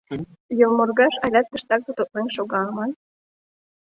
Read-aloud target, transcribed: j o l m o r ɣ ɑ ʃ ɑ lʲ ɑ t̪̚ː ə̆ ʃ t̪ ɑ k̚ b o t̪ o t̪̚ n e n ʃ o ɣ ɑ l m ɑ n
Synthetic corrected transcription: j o l m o r ɣ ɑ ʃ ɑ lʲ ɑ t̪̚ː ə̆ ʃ t̪ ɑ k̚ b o t̪ o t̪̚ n e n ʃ o ɣ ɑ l m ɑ n